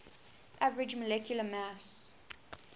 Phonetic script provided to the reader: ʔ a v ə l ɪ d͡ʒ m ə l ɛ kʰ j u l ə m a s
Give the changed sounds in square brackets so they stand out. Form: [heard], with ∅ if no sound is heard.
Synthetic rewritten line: ʔ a v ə [ɹ] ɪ d͡ʒ m ə l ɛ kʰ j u l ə m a s